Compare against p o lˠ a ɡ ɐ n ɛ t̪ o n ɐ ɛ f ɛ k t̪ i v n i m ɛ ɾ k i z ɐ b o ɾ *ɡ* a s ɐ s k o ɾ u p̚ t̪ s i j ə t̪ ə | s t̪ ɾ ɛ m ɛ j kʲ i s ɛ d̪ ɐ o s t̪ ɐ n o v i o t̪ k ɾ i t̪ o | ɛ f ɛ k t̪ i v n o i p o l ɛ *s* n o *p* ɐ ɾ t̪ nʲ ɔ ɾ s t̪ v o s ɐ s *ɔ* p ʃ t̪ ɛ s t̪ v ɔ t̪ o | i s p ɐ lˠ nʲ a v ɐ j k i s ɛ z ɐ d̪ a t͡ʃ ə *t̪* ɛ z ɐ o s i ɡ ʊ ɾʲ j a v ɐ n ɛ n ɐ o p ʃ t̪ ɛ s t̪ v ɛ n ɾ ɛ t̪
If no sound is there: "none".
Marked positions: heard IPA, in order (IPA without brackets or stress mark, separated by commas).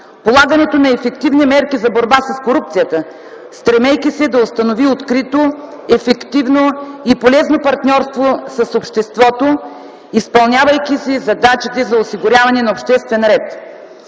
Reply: b, z, p, o, t̪